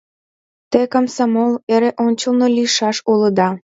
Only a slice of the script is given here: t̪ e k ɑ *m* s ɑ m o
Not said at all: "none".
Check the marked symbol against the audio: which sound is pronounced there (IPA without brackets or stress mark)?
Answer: m